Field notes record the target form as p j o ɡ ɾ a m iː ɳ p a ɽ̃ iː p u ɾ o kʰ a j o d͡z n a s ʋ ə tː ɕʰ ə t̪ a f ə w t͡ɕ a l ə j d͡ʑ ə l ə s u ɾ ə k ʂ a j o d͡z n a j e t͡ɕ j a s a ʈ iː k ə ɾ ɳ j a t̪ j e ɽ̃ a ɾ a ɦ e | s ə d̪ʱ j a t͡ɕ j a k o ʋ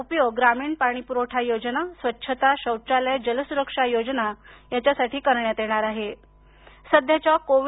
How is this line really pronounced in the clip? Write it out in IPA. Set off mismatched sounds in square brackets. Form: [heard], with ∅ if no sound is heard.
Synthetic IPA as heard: p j o ɡ ɾ a m iː ɳ p a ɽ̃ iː p u ɾ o [ʈʰ] a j o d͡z n a s ʋ ə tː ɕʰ ə t̪ a [ɕ] ə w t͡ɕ a l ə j d͡ʑ ə l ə s u ɾ ə k ʂ a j o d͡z n a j [a] t͡ɕ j a s a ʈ iː k ə ɾ ɳ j a t̪ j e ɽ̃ a ɾ a ɦ e | s ə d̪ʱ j a t͡ɕ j a k o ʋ